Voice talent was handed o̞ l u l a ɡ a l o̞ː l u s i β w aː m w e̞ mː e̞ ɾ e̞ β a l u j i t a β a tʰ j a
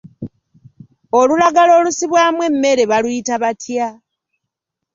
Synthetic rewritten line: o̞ l u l a ɡ a l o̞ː l u s i β w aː m w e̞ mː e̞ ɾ e̞ β a l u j i t a β a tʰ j a